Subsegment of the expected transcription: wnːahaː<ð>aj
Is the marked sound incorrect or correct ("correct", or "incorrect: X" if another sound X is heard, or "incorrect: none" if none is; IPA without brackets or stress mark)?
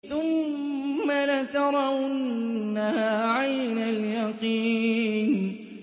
incorrect: ʕ